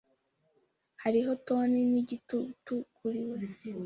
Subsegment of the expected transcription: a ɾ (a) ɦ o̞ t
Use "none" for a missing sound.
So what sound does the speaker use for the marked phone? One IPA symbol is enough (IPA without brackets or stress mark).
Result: i